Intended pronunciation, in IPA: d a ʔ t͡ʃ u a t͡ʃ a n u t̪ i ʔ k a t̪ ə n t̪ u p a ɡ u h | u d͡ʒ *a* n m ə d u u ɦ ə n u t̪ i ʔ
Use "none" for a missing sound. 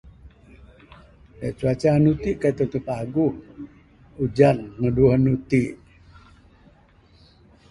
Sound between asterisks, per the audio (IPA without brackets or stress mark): a